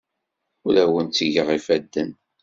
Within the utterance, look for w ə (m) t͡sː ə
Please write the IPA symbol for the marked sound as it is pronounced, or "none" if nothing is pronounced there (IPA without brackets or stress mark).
n